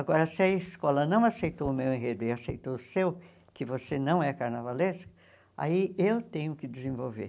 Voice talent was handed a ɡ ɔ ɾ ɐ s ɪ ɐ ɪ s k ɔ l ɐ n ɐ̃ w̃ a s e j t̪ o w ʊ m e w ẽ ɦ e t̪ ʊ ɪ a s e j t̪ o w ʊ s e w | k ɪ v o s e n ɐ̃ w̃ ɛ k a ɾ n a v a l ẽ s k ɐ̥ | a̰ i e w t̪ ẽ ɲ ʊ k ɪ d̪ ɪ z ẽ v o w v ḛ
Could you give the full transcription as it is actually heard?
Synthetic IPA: a ɡ ɔ ɾ ɐ s ɪ ɐ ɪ s k ɔ l ɐ n ɐ̃ w̃ a s e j t̪ o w ʊ m e w ẽ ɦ e d̪ ʊ ɪ a s e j t̪ o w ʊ s e w | k ɪ v o s e n ɐ̃ w̃ ɛ k a ɾ n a v a l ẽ s k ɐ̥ | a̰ i e w t̪ ẽ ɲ ʊ k ɪ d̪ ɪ z ẽ v o w v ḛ